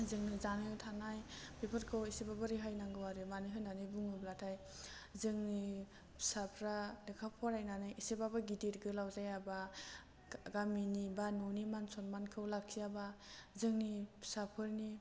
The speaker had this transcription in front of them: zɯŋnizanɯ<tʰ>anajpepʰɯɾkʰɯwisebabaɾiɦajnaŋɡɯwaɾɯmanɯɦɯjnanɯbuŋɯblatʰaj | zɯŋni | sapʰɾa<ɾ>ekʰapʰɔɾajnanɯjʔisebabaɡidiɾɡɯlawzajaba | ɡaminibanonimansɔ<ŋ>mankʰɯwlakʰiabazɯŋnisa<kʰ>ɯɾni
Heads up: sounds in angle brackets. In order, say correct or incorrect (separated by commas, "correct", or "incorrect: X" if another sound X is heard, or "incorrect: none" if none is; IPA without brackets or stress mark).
correct, incorrect: l, incorrect: n, incorrect: pʰ